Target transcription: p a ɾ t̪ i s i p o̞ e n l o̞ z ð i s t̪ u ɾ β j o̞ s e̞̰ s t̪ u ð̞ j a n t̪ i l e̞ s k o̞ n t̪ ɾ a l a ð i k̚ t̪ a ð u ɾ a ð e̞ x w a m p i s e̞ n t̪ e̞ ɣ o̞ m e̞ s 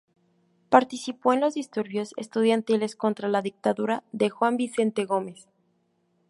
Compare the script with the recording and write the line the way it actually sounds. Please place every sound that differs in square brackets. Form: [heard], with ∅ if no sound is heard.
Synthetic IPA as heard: p a ɾ t̪ i s i p o̞ e n l o̞ z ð i s t̪ u ɾ β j o̞ s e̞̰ s t̪ u ð̞ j a n t̪ i l e̞ s k o̞ n t̪ ɾ a l a ð i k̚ t̪ a ð u ɾ a ð e̞ x w a m [b] i s e̞ n t̪ e̞ ɣ o̞ m e̞ s